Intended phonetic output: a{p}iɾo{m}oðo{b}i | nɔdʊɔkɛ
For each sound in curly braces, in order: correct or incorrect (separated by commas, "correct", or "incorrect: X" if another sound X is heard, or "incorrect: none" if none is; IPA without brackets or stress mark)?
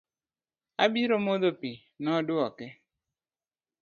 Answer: incorrect: b, correct, incorrect: p